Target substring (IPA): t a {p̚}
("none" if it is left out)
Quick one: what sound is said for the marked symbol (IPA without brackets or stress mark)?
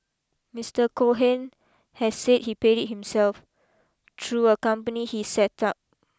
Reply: p̚